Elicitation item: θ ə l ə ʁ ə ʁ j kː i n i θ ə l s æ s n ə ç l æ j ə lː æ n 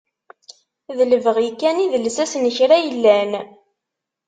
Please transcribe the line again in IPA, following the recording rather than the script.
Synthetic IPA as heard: ð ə l ə v ə ʁ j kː æ n i ð ə l s æ s n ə ç ɾ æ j ə lː æ n